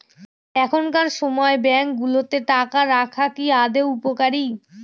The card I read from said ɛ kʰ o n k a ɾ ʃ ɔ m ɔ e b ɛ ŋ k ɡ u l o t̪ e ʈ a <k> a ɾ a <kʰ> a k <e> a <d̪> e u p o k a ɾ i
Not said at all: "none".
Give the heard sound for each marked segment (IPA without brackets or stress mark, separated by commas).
k, kʰ, i, d̪